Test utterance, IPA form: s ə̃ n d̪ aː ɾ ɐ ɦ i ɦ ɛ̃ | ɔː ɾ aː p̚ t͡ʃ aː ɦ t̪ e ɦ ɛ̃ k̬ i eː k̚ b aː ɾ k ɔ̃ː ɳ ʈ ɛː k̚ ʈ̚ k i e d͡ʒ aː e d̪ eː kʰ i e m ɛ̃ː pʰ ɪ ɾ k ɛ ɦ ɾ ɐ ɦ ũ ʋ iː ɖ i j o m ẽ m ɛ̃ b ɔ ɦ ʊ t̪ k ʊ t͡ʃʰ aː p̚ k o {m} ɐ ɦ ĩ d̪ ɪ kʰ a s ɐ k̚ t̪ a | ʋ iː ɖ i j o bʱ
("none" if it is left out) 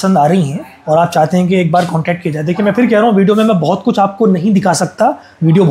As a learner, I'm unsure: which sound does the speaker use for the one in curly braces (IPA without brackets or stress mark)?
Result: n